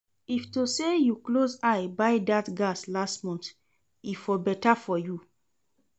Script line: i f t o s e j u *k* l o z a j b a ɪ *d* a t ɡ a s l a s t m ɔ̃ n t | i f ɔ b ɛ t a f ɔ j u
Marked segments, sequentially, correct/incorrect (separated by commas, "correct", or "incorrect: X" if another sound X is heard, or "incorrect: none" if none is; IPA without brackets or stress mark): correct, correct